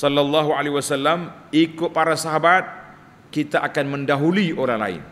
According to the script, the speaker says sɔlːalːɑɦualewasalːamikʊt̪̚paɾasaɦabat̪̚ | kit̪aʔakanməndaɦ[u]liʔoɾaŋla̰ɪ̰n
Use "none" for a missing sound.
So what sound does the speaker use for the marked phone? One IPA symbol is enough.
u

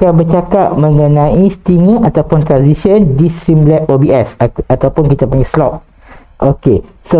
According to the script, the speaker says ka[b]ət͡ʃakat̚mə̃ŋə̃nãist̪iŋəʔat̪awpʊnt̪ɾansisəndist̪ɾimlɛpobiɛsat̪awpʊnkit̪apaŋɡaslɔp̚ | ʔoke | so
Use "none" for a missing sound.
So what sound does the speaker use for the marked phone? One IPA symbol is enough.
b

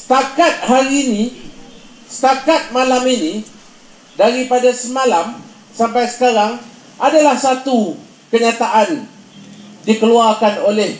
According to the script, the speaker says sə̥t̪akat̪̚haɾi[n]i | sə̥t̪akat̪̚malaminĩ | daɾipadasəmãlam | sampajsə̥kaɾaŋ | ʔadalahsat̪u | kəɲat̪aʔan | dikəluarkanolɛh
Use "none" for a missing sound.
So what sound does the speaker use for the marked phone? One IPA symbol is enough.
n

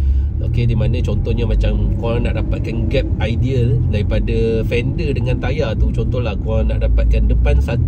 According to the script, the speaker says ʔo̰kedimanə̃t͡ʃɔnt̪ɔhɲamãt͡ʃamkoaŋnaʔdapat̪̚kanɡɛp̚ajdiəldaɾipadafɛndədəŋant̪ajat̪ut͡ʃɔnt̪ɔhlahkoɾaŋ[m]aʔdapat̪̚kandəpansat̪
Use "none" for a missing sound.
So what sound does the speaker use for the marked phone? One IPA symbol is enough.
n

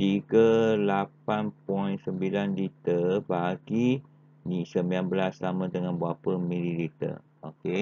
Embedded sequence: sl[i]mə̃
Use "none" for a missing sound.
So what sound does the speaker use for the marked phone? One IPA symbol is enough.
a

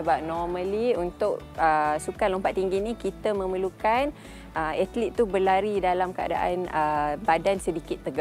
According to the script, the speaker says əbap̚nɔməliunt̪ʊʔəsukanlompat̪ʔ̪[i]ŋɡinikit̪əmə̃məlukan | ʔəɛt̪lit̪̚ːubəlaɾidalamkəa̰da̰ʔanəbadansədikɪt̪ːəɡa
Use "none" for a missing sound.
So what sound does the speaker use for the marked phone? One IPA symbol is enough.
i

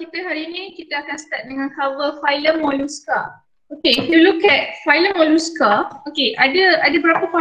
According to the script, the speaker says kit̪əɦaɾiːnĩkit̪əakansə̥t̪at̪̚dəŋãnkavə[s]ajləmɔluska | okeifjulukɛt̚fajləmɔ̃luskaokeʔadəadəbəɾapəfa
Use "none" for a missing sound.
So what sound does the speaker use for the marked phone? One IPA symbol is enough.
f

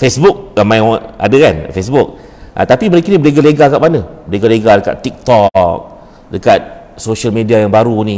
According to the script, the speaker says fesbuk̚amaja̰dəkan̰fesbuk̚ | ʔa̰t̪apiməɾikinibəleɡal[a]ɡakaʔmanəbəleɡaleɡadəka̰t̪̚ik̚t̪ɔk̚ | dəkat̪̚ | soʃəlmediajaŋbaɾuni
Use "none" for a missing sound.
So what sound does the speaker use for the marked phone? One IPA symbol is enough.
e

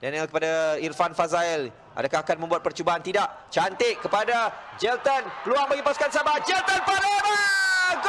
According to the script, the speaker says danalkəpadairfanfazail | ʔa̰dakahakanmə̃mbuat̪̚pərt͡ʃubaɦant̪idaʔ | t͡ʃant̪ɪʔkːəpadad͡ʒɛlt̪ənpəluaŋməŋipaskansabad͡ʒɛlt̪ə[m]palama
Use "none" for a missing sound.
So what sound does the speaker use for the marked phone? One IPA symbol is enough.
n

